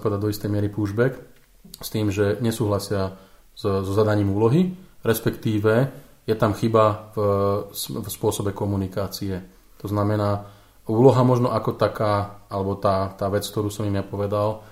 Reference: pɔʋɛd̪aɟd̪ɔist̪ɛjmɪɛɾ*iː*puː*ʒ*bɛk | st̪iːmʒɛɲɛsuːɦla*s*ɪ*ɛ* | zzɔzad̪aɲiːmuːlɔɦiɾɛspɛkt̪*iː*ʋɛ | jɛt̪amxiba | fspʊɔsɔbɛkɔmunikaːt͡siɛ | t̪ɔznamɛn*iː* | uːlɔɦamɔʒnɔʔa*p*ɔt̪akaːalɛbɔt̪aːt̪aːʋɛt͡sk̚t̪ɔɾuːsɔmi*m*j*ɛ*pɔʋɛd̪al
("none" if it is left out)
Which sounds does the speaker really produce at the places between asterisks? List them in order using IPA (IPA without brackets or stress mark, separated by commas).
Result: i, ʒ, s, a, iː, aː, k, m, a